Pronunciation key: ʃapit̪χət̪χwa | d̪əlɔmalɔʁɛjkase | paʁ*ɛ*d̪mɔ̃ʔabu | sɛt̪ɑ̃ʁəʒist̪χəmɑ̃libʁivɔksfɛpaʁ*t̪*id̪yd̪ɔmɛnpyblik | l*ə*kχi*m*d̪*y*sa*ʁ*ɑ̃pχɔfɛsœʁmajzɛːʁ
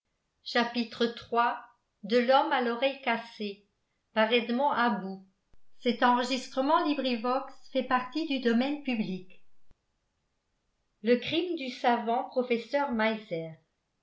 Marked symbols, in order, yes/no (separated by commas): yes, yes, yes, yes, yes, no